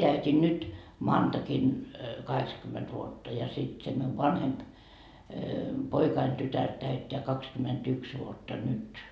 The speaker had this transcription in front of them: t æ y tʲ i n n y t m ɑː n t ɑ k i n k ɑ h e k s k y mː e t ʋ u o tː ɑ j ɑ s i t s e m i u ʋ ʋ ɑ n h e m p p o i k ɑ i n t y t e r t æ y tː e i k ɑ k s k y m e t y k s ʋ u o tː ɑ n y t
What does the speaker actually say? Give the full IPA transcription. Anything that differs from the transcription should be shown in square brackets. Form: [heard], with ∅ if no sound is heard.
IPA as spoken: t æ y tʲ i n n y t m ɑː n t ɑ k i n k ɑ h e k s k y mː e t ʋ u o tː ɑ j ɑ s i t s e m i u ʋ ʋ ɑ n h e m p p o i k ɑ i n t y t [æ] r t æ y tː e [æ] k ɑ k s k y m e t y k s ʋ u o tː ɑ n y t